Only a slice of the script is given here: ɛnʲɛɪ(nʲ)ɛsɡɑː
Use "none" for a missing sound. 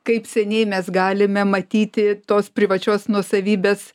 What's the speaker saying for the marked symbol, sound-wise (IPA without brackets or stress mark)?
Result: mʲ